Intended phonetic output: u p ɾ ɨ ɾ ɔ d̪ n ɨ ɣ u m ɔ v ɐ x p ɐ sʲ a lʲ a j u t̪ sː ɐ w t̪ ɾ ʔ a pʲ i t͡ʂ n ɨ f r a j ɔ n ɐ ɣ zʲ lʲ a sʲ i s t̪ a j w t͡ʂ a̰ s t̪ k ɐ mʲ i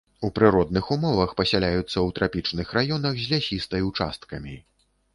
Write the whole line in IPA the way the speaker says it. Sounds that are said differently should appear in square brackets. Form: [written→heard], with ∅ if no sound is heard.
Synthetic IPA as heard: u p ɾ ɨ ɾ ɔ d̪ n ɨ [ɣ→x] u m ɔ v ɐ x p ɐ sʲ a lʲ a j u t̪ sː ɐ w t̪ ɾ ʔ a pʲ i t͡ʂ n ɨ [f→x] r a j ɔ n ɐ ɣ zʲ lʲ a sʲ i s t̪ [a→ɐ] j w t͡ʂ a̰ s t̪ k ɐ mʲ i

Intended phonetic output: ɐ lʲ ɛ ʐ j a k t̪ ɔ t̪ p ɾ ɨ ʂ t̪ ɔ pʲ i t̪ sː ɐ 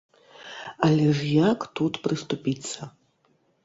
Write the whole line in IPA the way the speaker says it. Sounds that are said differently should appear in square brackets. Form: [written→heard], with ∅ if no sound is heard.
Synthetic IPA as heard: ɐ lʲ ɛ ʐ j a k t̪ [ɔ→u] t̪ p ɾ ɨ [ʂ→s] t̪ [ɔ→u] pʲ i t̪ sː ɐ

